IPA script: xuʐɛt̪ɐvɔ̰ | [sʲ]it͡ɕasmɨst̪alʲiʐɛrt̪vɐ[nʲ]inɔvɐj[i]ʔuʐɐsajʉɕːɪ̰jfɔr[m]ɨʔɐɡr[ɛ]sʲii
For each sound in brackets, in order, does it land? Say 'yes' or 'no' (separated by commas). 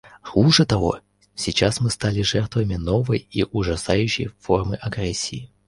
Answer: yes, no, yes, yes, yes